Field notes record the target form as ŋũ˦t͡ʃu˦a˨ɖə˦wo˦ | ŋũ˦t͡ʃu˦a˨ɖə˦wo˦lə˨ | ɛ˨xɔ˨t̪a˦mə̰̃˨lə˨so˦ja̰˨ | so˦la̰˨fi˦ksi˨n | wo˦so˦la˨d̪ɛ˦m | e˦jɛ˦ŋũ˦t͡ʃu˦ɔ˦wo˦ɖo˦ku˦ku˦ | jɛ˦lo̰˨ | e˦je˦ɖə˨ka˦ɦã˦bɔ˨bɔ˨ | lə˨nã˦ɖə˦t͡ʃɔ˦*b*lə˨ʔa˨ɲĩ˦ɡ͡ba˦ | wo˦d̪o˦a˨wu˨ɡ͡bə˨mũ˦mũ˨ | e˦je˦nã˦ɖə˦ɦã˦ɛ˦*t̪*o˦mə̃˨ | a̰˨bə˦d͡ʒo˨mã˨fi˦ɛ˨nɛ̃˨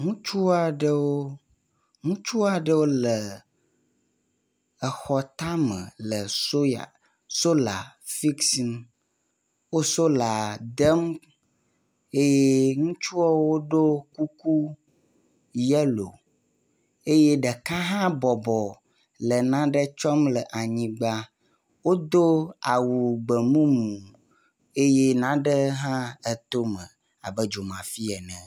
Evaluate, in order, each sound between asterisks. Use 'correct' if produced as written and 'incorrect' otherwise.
incorrect: m, correct

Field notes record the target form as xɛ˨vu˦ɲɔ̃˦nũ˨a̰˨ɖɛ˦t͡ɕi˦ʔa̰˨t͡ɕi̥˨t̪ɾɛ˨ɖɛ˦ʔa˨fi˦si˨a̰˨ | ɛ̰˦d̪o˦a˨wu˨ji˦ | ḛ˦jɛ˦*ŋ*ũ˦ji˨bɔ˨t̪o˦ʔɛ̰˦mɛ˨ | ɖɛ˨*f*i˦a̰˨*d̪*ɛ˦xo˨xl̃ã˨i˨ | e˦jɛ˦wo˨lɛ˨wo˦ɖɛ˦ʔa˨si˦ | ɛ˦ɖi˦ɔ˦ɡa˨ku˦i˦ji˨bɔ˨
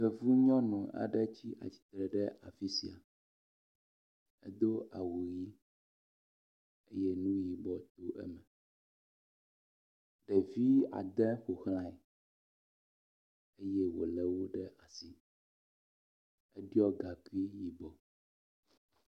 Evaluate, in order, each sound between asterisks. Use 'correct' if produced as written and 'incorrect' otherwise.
incorrect: n, incorrect: v, correct

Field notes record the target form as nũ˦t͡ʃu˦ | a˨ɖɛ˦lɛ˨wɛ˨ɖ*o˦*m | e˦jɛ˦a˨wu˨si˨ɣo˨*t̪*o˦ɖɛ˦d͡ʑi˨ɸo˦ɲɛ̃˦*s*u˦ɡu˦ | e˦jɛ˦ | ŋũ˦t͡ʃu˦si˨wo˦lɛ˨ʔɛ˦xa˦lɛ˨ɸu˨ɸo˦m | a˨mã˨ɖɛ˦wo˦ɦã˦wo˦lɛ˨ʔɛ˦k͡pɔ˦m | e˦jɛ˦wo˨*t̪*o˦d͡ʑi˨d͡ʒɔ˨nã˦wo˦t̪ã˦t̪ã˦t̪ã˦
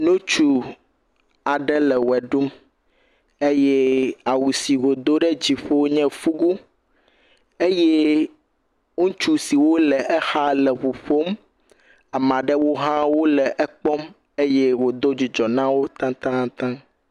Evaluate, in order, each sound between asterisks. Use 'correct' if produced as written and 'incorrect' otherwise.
incorrect: u˦, incorrect: d̪, incorrect: f, incorrect: d̪

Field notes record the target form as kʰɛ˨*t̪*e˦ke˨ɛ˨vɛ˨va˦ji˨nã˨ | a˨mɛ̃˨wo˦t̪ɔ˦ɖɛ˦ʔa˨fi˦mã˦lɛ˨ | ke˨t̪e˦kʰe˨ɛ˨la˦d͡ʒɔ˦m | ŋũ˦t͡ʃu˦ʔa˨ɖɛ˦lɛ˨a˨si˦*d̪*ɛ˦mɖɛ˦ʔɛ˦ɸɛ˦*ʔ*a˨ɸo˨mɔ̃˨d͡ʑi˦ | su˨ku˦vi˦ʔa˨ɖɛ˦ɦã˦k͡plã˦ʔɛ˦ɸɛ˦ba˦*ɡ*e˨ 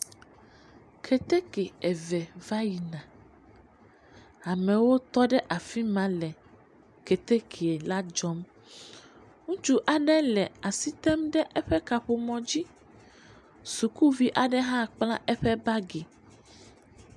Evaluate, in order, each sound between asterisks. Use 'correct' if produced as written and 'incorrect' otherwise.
correct, incorrect: t̪, incorrect: k, correct

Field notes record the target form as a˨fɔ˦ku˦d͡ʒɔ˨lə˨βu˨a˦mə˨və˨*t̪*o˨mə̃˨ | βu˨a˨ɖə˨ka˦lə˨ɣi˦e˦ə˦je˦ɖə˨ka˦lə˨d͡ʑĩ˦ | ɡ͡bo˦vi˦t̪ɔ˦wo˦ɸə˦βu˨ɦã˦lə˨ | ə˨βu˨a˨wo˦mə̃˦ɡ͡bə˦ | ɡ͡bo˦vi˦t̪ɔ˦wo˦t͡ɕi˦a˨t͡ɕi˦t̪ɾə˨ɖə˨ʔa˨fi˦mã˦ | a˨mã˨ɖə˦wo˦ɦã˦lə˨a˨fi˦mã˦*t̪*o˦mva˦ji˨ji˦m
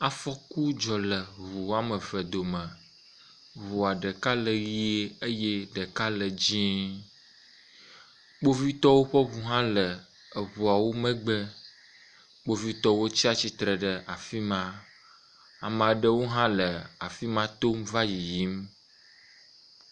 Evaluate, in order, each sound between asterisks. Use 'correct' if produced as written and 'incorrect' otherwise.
incorrect: d̪, correct

